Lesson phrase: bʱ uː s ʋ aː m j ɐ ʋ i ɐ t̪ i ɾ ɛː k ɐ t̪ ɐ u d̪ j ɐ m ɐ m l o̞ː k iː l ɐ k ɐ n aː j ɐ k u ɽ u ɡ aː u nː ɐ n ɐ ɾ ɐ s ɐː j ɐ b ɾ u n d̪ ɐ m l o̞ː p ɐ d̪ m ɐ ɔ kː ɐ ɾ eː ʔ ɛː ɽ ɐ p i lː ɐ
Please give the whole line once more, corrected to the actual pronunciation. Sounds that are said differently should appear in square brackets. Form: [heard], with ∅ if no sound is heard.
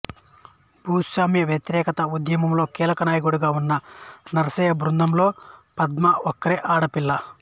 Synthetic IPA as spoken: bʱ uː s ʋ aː m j ɐ ʋ [j] ɐ t̪ i ɾ ɛː k ɐ t̪ ɐ u d̪ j ɐ m ɐ m l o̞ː k iː l ɐ k ɐ n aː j ɐ k u ɽ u ɡ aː u nː ɐ n ɐ ɾ ɐ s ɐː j ɐ b ɾ u n d̪ ɐ m l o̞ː p ɐ d̪ m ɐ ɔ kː ɐ ɾ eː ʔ [aː] ɽ ɐ p i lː ɐ

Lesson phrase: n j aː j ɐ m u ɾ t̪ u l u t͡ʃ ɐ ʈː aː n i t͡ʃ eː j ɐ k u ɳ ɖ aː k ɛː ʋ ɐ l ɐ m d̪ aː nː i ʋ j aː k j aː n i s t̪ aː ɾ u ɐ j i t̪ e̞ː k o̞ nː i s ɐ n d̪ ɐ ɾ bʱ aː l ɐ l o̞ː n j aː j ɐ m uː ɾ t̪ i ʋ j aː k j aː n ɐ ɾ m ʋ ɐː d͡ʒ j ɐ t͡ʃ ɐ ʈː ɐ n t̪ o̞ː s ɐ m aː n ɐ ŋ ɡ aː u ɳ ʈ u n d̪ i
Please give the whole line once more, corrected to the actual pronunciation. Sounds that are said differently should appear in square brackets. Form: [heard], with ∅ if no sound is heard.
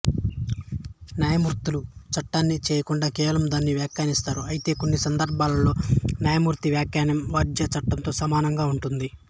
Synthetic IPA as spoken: n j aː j ɐ m u ɾ t̪ u l u t͡ʃ ɐ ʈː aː [nː] i t͡ʃ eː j ɐ k u ɳ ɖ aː k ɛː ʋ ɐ l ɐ m d̪ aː nː i ʋ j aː k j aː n i s t̪ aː ɾ u ɐ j i t̪ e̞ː k o̞ nː i s ɐ n d̪ ɐ ɾ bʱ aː l ɐ l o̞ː n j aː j ɐ m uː ɾ t̪ i ʋ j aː k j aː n ɐ [∅] m ʋ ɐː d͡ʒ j ɐ t͡ʃ ɐ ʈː ɐ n t̪ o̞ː s ɐ m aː n ɐ ŋ ɡ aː u ɳ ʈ u n d̪ i

